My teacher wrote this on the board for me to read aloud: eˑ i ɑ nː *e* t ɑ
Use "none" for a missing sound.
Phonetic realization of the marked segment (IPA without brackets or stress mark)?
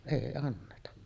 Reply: e